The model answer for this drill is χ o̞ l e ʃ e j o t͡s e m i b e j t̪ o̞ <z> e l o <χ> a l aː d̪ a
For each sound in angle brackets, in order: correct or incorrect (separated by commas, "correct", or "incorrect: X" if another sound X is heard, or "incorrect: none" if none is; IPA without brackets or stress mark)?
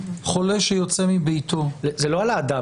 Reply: correct, incorrect: none